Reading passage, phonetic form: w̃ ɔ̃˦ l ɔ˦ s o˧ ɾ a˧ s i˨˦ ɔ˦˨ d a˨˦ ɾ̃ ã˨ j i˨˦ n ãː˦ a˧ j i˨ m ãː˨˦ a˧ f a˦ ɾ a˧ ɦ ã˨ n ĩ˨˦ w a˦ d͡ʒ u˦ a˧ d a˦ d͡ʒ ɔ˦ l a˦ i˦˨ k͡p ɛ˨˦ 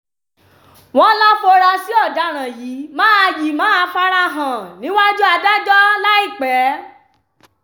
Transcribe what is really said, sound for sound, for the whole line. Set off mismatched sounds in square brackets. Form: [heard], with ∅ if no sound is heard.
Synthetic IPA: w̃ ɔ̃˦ l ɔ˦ [f] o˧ ɾ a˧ s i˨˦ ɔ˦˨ d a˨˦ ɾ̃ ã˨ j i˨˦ [m] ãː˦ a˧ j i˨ m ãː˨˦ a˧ f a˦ ɾ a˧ ɦ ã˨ n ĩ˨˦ w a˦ d͡ʒ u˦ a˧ d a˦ d͡ʒ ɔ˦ l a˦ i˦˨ k͡p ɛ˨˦